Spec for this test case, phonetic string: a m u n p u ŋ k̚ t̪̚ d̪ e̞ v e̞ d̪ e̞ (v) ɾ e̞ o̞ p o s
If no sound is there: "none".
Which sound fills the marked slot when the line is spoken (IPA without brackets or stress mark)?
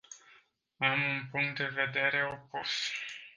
none